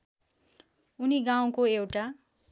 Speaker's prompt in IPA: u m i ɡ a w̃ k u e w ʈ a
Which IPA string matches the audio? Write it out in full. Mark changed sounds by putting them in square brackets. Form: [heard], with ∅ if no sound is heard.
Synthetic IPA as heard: u [n] i ɡ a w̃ k [o] e w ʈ a